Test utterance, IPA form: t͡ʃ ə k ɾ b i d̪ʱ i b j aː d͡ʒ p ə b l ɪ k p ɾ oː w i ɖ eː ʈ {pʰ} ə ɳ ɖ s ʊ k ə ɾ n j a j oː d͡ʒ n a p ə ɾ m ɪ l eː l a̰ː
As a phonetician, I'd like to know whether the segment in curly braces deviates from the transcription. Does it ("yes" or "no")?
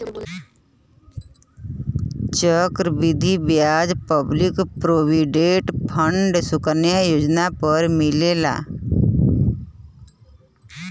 no